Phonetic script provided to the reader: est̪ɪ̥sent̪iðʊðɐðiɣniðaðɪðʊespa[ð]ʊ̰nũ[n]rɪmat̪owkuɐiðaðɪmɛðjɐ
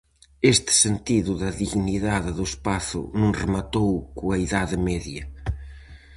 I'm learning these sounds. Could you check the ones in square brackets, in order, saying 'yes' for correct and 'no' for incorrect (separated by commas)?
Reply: no, no